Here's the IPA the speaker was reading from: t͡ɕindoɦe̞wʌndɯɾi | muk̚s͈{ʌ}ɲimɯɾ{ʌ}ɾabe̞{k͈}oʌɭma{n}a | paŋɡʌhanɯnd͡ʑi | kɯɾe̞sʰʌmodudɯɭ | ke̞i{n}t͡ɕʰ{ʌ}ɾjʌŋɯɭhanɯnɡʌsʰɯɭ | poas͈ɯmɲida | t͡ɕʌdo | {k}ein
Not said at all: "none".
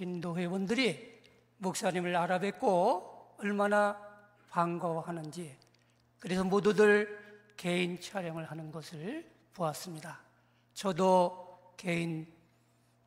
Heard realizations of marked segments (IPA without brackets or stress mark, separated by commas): a, a, k͈, n, n, a, k